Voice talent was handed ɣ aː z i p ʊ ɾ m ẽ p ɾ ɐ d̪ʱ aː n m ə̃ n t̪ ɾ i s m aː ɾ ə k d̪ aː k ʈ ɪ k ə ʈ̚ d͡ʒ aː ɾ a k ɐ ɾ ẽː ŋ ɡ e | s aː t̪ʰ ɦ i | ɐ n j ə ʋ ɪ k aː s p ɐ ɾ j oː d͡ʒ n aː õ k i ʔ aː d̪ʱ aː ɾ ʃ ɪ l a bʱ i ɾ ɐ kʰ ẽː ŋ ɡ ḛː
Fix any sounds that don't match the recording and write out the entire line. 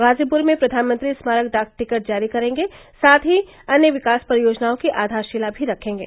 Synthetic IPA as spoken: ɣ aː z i p ʊ ɾ m ẽ p ɾ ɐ d̪ʱ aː n m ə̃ n t̪ ɾ i s m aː ɾ ə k d̪ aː k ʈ ɪ k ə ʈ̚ d͡ʒ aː ɾ i k ɐ ɾ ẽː ŋ ɡ e | s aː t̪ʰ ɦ i | ɐ n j ə ʋ ɪ k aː s p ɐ ɾ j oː d͡ʒ n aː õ k i ʔ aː d̪ʱ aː ɾ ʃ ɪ l a bʱ i ɾ ɐ kʰ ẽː ŋ ɡ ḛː

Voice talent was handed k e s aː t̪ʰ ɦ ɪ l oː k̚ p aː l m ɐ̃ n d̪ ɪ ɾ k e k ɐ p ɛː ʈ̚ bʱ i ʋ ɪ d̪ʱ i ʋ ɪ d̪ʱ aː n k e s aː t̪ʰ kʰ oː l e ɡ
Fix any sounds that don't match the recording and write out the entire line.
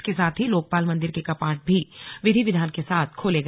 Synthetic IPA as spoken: k e s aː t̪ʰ ɦ i l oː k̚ p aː l m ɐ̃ n d̪ ɪ ɾ k e k ɐ p aː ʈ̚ bʱ i ʋ ɪ d̪ʱ i ʋ ɪ d̪ʱ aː n k e s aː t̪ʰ kʰ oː l e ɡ

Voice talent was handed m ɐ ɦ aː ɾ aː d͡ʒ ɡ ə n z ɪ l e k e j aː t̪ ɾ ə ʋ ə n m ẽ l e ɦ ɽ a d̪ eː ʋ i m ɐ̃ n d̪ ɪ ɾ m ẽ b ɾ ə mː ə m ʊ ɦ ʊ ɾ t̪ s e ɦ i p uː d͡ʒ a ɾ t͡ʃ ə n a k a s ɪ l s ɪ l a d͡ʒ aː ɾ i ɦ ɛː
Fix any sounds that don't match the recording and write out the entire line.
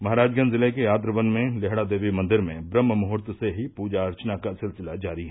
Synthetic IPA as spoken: m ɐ ɦ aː ɾ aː d͡ʒ ɡ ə n z ɪ l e k e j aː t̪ ɾ ə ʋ ə n m ẽ l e ɦ ɽ a d̪ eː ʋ i m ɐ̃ n d̪ ɪ ɾ m ẽ b ɾ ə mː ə m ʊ ɦ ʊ ɾ t̪ s e ɦ i p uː d͡ʒ a ɾ t͡ʃ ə n a k a s ɪ l s ɪ l a d͡ʒ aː ɾ i ɦ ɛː

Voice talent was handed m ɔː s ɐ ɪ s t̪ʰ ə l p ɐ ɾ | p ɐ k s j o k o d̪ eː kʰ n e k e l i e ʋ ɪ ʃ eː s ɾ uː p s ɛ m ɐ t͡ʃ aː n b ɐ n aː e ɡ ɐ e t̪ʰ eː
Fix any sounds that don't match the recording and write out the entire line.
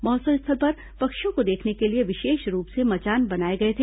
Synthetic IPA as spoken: m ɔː s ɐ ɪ s t̪ʰ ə l p ɐ ɾ | p ɐ k ʃ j õ k o d̪ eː kʰ n e k e l i e ʋ ɪ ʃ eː ʃ ɾ uː p s e m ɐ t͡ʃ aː n b ɐ n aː e ɡ ɐ e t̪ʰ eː

